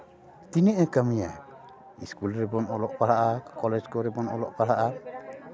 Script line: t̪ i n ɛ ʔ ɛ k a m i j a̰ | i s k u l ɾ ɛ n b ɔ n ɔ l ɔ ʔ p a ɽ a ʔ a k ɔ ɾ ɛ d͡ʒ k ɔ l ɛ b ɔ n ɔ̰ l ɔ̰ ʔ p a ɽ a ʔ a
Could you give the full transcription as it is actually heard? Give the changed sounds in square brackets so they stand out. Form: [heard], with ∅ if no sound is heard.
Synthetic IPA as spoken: t̪ i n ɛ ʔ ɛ k a m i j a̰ | i s k u l ɾ ɛ [∅] b ɔ n ɔ l ɔ ʔ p a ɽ a ʔ a k ɔ [l] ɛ d͡ʒ k ɔ [ɾ] ɛ b ɔ n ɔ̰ l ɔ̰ ʔ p a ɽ a ʔ a